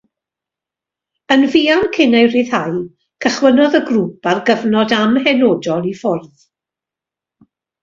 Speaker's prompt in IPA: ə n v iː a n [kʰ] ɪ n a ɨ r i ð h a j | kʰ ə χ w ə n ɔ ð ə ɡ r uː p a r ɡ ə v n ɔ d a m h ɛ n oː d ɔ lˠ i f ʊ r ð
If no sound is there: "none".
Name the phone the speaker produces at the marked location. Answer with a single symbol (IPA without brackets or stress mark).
kʰ